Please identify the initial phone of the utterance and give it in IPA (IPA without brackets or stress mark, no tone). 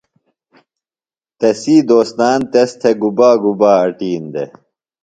t̪